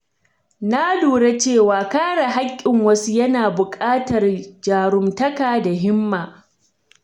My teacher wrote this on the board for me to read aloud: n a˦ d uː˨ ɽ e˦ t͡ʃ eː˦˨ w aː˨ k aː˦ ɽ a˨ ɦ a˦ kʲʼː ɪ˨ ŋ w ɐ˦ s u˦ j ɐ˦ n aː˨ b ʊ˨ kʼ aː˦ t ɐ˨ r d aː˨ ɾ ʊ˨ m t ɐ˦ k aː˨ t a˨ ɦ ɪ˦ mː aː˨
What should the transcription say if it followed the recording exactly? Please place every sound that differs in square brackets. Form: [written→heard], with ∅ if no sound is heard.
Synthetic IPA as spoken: n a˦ d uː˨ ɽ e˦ t͡ʃ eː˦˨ w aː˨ k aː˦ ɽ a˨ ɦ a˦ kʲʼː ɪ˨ ŋ w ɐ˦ s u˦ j ɐ˦ n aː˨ b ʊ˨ kʼ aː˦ t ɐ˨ r [d→d͡ʒ] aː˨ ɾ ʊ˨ m t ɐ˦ k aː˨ [t→d] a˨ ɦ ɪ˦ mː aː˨